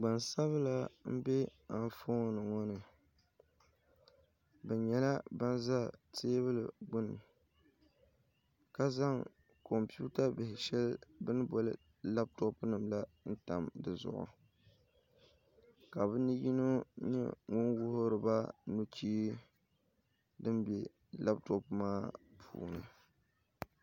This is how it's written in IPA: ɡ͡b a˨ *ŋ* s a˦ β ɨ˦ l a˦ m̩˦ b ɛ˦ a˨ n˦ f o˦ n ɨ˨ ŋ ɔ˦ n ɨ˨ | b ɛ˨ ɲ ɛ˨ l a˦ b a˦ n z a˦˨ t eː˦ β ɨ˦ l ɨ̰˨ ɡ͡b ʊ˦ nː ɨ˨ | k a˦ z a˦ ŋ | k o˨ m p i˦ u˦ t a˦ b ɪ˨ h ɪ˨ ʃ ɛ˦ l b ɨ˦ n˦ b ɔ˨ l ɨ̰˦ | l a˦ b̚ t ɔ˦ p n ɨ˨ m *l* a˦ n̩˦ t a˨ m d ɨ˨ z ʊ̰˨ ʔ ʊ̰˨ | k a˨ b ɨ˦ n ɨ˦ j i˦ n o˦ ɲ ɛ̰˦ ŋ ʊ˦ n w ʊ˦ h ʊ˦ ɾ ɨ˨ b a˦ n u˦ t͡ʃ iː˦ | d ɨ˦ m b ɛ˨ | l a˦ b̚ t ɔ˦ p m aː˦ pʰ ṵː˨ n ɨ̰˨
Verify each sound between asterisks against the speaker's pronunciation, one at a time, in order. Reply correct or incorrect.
incorrect, correct

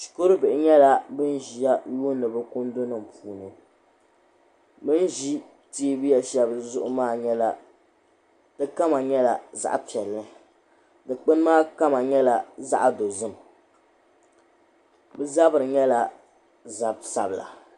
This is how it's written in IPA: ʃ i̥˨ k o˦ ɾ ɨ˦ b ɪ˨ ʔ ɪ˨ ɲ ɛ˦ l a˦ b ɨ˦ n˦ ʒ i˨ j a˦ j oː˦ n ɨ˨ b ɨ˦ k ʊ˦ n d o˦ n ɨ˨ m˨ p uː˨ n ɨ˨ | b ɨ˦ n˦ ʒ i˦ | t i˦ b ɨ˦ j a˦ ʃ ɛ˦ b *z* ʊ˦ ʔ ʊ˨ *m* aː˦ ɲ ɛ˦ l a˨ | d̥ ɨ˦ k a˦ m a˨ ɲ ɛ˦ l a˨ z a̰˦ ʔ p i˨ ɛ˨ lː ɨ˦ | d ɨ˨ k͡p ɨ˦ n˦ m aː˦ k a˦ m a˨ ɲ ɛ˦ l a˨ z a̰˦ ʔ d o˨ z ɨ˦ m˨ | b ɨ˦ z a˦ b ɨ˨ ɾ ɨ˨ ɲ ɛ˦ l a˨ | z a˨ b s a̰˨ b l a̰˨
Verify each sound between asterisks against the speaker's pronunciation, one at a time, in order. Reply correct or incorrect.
correct, correct

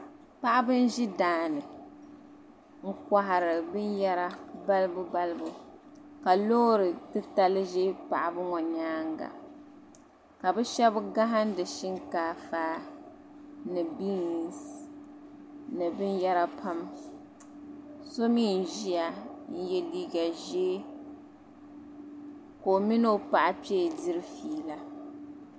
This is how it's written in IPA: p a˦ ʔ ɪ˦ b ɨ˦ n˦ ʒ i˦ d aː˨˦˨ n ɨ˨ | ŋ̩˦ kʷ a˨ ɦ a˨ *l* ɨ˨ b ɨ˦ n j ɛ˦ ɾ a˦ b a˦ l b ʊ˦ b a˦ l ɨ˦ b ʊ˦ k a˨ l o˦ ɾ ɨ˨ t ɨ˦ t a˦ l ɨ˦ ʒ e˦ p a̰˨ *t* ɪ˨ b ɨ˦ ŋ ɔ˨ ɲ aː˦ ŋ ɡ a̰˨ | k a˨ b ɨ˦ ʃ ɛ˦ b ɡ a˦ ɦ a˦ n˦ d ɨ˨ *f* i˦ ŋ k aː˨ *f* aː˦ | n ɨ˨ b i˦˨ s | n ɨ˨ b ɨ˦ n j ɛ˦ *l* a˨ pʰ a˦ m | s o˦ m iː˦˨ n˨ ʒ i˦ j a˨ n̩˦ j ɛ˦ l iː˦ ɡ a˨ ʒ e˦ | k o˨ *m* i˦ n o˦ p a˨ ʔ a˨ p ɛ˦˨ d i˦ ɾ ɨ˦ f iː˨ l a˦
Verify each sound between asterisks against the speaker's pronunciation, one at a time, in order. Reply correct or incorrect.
incorrect, incorrect, incorrect, correct, incorrect, correct

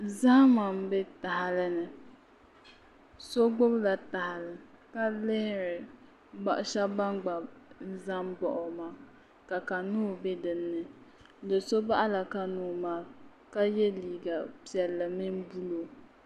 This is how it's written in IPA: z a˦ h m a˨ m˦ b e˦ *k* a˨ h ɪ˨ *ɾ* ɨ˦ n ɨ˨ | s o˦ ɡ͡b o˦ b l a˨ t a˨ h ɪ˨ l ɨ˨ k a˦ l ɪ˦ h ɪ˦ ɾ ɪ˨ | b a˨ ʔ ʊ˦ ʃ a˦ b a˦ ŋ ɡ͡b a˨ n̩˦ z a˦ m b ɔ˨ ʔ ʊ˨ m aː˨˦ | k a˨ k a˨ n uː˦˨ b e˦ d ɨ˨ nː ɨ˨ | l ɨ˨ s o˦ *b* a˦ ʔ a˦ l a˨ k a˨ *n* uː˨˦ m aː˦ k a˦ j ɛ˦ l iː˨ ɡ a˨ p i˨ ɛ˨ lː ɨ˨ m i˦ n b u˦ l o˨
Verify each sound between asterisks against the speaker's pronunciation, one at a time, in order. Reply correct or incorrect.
incorrect, incorrect, correct, correct

